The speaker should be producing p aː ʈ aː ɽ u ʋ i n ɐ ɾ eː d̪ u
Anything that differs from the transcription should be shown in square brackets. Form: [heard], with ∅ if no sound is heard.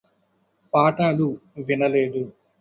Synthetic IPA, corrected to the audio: p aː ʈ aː [l] u ʋ i n ɐ [l] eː d̪ u